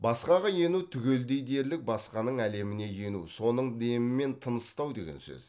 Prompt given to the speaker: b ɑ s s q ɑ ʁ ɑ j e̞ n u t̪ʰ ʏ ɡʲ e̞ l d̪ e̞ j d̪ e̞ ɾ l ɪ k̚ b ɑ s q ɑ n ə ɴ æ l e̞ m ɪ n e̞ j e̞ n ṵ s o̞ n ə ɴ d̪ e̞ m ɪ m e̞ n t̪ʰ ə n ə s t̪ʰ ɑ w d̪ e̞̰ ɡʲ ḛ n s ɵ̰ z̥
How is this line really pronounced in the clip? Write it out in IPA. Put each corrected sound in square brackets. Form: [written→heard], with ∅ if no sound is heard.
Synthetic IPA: b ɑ s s q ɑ ʁ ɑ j e̞ n u t̪ʰ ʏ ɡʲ e̞ l d̪ e̞ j d̪ e̞ ɾ l ɪ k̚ b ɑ s q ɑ n ə ɴ æ l e̞ m ɪ n e̞ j e̞ n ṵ s o̞ n ə ɴ d̪ e̞ m ɪ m e̞ n t̪ʰ ə n ə s [t̪ʰ→t̪] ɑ w d̪ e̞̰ ɡʲ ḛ n s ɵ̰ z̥